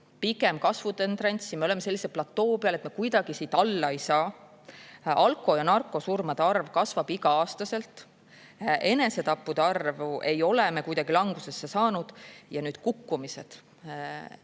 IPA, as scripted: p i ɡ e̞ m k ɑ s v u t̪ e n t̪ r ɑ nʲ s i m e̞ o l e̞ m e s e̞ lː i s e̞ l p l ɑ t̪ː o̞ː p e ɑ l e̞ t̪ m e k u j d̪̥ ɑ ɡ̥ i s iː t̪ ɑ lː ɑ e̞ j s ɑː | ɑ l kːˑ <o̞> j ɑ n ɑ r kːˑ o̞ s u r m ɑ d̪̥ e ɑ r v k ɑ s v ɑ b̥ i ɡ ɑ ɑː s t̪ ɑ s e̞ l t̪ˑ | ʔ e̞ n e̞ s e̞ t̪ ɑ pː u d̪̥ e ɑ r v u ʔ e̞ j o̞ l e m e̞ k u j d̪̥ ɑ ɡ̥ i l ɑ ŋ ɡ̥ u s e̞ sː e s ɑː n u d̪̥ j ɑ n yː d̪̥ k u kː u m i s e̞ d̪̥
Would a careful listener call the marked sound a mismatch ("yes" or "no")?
no